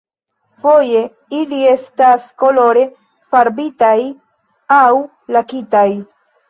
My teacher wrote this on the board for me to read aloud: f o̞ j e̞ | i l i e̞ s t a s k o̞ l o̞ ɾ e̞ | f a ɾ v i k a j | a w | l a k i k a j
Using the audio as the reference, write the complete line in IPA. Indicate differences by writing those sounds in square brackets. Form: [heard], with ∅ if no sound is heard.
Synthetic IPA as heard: f o̞ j e̞ | i l i e̞ s t a s k o̞ l o̞ ɾ e̞ | f a ɾ [b] i [t] a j | a w | l a k i [t] a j